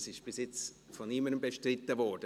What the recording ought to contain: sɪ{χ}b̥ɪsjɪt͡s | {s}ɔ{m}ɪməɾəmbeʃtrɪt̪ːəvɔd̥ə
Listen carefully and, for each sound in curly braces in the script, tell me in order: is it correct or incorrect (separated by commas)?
incorrect, incorrect, incorrect